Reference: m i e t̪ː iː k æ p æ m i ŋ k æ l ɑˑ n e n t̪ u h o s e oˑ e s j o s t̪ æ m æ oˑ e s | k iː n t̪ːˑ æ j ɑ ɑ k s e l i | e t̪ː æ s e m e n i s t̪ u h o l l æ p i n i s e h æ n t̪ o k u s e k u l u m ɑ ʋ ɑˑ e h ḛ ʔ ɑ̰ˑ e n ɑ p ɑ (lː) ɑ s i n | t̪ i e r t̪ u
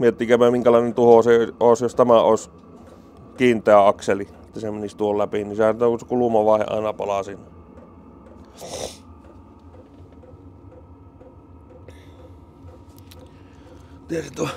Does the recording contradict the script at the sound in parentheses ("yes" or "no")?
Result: yes